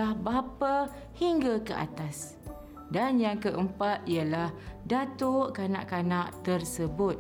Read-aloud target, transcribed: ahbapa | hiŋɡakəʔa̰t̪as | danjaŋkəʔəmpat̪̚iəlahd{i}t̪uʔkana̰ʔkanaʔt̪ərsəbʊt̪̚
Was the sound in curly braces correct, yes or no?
no